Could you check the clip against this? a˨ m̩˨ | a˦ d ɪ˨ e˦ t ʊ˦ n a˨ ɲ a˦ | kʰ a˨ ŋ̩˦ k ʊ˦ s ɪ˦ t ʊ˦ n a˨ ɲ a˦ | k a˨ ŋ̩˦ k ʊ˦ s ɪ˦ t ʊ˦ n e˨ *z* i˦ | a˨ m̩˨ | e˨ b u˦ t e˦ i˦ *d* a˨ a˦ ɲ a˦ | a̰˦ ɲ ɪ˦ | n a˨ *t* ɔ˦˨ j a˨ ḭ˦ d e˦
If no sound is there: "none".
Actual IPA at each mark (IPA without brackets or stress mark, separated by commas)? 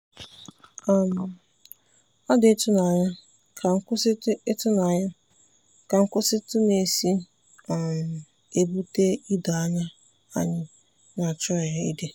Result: s, d, t͡ʃ